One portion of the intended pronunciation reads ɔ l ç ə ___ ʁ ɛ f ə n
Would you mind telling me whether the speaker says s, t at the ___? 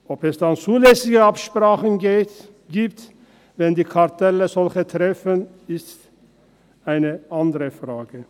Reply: t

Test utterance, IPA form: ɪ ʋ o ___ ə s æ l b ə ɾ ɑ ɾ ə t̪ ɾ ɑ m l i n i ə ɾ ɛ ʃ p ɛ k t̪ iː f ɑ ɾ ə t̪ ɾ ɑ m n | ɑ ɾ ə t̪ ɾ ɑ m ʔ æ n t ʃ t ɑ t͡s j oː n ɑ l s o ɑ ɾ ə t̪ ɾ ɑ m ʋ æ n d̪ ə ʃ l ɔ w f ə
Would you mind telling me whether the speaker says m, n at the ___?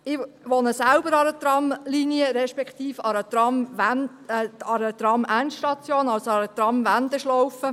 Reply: n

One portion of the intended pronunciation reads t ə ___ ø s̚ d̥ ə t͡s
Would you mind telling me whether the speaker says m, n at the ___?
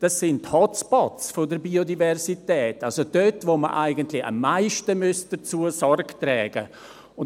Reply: m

